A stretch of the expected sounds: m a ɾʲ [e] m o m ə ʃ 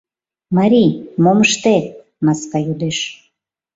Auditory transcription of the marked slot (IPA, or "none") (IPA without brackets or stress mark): i